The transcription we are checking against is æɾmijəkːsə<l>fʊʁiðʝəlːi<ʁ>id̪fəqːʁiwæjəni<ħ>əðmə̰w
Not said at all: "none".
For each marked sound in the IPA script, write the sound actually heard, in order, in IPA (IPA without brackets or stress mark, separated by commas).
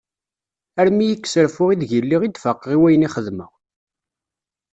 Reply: ɾ, ʁ, χ